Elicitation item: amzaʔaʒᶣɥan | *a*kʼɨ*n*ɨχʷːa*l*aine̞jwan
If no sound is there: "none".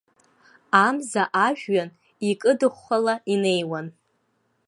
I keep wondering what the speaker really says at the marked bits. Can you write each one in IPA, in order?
i, d, l

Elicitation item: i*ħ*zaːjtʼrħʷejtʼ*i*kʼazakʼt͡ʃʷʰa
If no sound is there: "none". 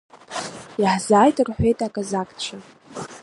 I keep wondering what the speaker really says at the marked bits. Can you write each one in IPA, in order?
ħ, a

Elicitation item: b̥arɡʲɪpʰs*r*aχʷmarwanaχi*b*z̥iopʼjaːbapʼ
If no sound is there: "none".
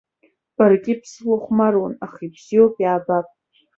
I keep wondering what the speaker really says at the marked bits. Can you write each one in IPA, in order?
l, b

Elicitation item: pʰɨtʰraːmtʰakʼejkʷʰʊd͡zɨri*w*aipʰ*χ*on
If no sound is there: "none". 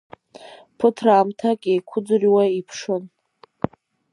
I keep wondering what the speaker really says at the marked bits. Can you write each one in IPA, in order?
w, ʂ

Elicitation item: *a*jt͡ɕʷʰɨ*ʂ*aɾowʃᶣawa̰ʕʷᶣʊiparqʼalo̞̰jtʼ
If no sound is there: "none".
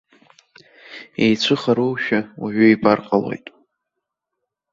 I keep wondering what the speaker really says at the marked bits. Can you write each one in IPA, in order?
e, χ

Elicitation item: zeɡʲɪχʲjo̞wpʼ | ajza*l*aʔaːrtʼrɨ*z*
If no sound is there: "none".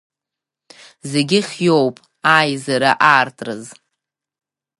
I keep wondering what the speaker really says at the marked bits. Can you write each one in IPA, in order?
ɾ, z

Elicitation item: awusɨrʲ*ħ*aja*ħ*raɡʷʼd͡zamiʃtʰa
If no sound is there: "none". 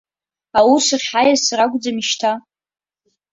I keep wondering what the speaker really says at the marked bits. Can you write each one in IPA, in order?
ħ, s

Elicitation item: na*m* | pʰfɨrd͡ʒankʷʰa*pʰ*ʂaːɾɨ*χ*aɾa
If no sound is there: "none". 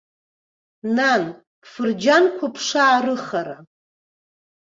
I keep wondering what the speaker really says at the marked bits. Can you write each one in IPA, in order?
n, pʰ, χ

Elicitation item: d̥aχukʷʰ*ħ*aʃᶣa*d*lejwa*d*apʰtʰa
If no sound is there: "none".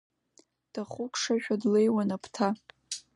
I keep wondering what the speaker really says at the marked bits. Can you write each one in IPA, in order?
ʂ, d, n

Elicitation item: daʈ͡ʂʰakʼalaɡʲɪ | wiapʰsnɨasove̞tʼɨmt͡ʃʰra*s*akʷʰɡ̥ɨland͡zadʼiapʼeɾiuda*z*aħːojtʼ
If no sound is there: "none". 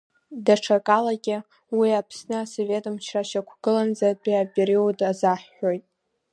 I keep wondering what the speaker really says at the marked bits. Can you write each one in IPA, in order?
ʃ, z

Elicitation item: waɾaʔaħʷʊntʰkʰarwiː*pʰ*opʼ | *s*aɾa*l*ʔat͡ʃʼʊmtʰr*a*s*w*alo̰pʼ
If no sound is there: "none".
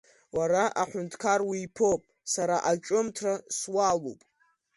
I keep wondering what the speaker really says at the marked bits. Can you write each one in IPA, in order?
pʰ, s, none, a, w

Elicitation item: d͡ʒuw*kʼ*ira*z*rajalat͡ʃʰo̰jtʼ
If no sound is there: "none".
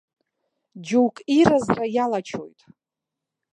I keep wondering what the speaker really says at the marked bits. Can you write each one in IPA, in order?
kʼ, z

